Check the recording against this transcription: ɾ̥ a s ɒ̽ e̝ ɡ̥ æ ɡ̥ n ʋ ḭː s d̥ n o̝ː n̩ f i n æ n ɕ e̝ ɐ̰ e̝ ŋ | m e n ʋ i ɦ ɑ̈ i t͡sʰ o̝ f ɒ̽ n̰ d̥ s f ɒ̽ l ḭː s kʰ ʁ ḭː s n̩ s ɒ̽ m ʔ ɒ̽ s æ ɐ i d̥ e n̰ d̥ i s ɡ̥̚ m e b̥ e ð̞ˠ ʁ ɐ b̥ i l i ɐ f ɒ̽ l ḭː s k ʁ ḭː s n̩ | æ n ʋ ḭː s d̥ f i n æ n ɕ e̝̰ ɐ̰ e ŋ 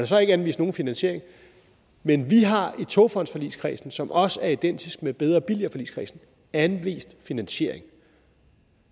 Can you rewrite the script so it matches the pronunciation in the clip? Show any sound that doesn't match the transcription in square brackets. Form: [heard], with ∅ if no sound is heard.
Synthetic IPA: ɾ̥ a s ɒ̽ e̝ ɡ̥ æ [∅] n ʋ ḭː s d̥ n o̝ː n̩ f i n æ n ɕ e̝ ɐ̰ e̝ ŋ | m e n ʋ i ɦ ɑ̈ i t͡sʰ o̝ f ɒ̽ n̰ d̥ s f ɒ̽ l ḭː s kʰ ʁ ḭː s n̩ s ɒ̽ m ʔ ɒ̽ s æ ɐ i d̥ e n̰ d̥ i s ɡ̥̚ m e b̥ e ð̞ˠ ʁ ɐ b̥ i l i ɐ f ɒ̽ l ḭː s k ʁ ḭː s n̩ | æ n ʋ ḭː s d̥ f i n æ n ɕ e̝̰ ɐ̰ e ŋ

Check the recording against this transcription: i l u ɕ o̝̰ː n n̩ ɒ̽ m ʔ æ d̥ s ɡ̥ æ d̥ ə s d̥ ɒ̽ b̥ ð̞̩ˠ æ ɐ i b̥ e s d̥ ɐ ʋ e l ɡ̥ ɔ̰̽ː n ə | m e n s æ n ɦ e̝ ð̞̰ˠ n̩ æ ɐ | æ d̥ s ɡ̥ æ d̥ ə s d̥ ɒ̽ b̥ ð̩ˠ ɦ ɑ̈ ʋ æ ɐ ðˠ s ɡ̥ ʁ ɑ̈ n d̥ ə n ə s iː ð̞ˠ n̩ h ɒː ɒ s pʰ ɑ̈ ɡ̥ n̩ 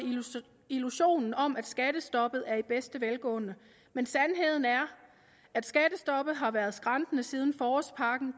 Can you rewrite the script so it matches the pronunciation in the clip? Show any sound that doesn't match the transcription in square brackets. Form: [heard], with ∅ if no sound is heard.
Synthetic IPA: i l u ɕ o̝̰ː n n̩ ɒ̽ m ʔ æ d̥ s ɡ̥ æ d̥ ə s d̥ ɒ̽ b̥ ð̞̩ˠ æ ɐ i b̥ e s d̥ [ə] ʋ e l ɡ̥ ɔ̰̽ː n ə | m e n s æ n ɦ e̝ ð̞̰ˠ n̩ æ ɐ | æ d̥ s ɡ̥ æ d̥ ə s d̥ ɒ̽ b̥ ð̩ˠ ɦ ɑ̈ ʋ æ ɐ ðˠ s ɡ̥ ʁ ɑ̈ n d̥ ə n ə s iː ð̞ˠ n̩ [f] ɒː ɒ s pʰ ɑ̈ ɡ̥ n̩

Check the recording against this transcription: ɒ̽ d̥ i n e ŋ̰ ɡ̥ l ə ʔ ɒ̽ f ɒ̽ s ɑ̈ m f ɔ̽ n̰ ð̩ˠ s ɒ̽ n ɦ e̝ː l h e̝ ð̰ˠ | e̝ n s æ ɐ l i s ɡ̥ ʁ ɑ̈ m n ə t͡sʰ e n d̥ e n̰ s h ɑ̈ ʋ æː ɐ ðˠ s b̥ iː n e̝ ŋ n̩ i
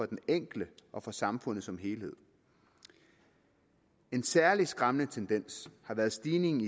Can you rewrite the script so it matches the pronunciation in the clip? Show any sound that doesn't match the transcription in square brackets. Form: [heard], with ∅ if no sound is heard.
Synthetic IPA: ɒ̽ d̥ [e] n e ŋ̰ ɡ̥ l ə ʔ ɒ̽ f ɒ̽ s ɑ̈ m f ɔ̽ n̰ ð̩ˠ s ɒ̽ [m] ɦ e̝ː l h e̝ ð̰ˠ | e̝ n s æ ɐ l i s ɡ̥ ʁ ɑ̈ m n ə t͡sʰ e n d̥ e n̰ s h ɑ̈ ʋ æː ɐ ðˠ s [d̥] iː n e̝ ŋ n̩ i

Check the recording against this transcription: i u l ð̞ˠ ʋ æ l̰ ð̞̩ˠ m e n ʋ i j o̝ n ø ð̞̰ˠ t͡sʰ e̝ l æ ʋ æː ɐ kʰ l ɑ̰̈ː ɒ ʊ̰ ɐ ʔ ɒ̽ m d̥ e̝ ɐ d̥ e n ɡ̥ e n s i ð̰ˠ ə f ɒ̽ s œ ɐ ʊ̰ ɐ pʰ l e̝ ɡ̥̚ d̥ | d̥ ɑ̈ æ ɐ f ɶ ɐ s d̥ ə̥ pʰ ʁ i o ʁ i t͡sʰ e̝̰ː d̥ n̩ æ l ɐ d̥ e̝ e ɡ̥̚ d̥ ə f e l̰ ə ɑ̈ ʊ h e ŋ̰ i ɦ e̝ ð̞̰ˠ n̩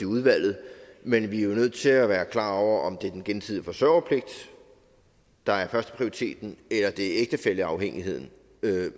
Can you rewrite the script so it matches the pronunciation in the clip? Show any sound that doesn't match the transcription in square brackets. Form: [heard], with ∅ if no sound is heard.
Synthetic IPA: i u [∅] ð̞ˠ ʋ æ l̰ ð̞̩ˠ m e n ʋ i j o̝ n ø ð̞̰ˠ t͡sʰ e̝ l æ ʋ æː ɐ kʰ l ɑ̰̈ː ɒ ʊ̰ ɐ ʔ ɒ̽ m d̥ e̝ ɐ d̥ e n ɡ̥ e n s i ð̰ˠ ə f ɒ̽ s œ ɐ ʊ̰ ɐ pʰ l e̝ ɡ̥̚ d̥ | d̥ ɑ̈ æ ɐ f ɶ ɐ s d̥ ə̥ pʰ ʁ i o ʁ i t͡sʰ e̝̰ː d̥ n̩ [e] l ɐ d̥ e̝ e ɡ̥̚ d̥ ə f e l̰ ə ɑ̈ ʊ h e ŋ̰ i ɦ e̝ ð̞̰ˠ n̩

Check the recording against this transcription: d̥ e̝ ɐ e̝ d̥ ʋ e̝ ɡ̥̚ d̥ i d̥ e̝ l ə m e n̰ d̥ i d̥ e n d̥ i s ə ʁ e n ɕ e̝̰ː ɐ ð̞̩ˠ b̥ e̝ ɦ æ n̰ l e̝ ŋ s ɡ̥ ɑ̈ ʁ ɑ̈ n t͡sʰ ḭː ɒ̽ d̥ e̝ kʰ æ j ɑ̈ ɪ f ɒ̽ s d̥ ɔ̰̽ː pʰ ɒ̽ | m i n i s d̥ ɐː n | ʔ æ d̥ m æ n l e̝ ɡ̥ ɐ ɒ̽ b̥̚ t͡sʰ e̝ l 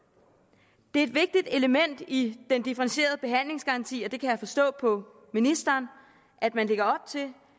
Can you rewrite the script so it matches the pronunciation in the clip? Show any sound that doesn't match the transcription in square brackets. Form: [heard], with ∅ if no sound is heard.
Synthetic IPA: d̥ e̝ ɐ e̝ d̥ ʋ e̝ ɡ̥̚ d̥ i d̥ e̝ l ə m e n̰ d̥ i d̥ e n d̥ i [f] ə ʁ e n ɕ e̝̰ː ɐ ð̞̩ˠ b̥ e̝ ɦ æ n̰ l e̝ ŋ s ɡ̥ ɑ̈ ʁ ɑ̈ n t͡sʰ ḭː ɒ̽ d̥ e̝ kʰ æ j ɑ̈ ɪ f ɒ̽ s d̥ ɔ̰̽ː pʰ ɒ̽ | m i n i s d̥ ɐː n | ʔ æ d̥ m æ n l e̝ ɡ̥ ɐ ɒ̽ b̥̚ t͡sʰ e̝ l

